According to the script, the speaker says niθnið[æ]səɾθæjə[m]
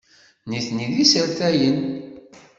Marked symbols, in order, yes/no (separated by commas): no, no